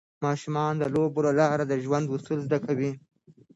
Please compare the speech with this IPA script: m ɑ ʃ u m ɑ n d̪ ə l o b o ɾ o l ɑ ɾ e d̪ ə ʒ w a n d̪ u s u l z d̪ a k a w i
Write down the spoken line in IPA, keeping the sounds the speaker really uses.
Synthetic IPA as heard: m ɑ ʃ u m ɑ n d̪ ə l o b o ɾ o l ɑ ɾ a d̪ ə ʒ w a n d̪ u s u l z d̪ a k a w i